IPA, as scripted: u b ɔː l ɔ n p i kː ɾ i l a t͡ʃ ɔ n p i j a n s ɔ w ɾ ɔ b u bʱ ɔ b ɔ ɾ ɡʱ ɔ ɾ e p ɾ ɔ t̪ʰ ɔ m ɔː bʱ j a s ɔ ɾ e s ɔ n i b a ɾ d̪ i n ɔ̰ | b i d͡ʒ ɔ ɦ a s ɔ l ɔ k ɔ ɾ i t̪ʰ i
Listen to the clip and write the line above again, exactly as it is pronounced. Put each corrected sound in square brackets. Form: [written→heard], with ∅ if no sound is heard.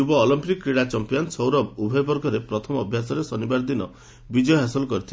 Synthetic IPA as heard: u b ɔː l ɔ [n→m] p i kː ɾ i [l→ɽ] a t͡ʃ ɔ [n→m] p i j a n s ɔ w ɾ ɔ b u bʱ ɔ b ɔ ɾ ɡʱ ɔ ɾ e p ɾ ɔ t̪ʰ ɔ m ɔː bʱ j a s ɔ ɾ e s ɔ n i b a ɾ d̪ i n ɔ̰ | b i d͡ʒ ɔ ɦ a s ɔ l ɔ k ɔ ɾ i t̪ʰ i